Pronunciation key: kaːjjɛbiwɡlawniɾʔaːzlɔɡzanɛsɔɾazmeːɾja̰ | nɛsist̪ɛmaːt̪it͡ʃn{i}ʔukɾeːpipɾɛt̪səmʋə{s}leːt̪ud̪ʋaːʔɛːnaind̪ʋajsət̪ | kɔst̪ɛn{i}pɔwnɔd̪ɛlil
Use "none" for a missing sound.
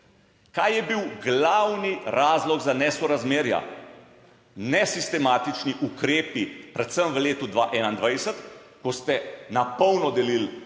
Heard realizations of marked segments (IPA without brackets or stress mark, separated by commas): i, none, a